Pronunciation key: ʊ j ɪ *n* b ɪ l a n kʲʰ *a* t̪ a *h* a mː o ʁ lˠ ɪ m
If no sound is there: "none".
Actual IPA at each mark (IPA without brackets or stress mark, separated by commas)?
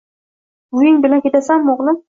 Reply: ŋ, e, s